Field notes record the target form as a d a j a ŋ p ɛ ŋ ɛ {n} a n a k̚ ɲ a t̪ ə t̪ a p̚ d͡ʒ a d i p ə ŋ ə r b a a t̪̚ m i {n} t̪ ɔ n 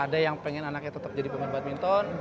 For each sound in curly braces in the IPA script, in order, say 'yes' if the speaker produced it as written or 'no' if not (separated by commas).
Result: yes, yes